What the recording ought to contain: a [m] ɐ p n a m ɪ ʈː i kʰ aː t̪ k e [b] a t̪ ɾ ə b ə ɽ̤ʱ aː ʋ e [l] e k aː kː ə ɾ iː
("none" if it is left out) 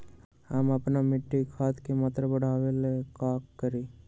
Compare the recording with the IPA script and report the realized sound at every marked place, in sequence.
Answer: m, m, l

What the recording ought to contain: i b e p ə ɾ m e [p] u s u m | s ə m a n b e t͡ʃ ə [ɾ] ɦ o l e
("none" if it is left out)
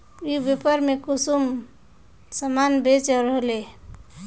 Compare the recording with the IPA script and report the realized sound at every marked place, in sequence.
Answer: k, ɾ

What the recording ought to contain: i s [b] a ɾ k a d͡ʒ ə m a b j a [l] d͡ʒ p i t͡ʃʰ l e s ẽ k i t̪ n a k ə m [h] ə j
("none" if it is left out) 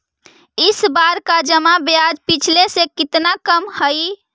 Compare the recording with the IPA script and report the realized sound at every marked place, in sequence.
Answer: b, none, h

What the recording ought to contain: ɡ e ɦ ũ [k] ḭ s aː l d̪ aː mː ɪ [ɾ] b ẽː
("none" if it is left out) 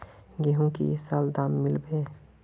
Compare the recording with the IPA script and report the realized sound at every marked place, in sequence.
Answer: k, l

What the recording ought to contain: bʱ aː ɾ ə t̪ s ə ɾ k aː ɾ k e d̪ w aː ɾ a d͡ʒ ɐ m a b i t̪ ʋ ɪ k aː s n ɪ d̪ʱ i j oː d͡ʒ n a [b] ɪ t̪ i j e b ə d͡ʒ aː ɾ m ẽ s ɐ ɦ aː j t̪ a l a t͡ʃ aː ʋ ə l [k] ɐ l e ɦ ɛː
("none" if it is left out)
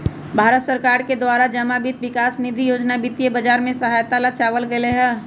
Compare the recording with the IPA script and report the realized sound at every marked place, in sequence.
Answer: b, ɡ

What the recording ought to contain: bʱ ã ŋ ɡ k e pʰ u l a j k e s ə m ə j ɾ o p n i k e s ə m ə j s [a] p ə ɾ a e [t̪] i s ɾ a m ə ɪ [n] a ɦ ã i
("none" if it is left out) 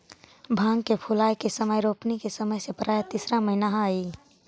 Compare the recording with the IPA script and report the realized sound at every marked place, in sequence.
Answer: e, t̪, n

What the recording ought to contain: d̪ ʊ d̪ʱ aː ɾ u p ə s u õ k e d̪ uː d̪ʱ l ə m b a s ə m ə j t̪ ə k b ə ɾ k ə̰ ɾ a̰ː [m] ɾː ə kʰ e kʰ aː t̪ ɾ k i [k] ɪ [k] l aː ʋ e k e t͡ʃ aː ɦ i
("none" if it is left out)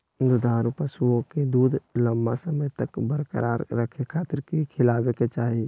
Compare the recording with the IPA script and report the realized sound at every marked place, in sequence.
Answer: none, kʰ, none

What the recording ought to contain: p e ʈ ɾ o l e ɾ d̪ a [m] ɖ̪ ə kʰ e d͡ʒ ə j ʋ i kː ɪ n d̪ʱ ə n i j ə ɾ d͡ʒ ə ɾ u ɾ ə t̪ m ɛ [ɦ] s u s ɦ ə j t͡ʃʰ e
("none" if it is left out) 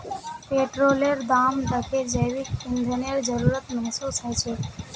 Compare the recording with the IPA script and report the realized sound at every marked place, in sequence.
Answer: m, ɦ

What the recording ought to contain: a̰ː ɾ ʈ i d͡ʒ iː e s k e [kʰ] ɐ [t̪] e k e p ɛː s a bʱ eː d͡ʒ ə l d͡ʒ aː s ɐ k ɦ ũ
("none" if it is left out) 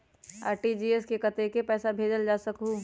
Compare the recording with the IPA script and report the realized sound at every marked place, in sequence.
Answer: k, t̪

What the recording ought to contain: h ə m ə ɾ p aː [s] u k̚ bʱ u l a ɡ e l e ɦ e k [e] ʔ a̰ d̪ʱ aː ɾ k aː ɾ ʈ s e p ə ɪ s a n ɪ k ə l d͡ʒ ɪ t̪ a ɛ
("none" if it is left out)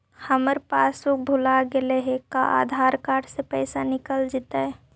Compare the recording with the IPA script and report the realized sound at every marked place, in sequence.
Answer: s, a

